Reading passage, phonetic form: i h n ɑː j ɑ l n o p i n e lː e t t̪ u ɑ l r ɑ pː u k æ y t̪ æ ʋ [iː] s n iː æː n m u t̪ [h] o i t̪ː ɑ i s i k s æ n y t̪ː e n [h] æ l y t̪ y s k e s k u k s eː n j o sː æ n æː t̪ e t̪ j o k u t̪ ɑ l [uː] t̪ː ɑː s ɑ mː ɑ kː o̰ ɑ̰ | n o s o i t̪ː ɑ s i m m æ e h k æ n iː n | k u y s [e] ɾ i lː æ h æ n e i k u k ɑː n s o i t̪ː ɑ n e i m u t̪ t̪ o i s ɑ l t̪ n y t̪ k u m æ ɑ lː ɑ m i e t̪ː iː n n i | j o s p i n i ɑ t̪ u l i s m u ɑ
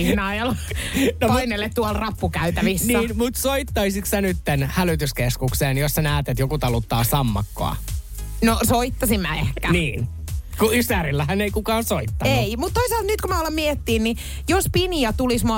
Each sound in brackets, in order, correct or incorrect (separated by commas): incorrect, incorrect, correct, incorrect, incorrect